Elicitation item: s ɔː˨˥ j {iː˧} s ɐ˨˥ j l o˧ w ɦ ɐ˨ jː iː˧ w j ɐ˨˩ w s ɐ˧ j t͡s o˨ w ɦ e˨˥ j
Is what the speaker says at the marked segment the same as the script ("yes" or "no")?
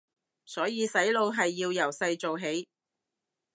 yes